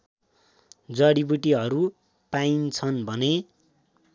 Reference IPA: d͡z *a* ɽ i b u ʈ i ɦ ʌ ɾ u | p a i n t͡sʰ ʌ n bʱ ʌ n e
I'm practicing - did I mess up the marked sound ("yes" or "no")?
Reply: yes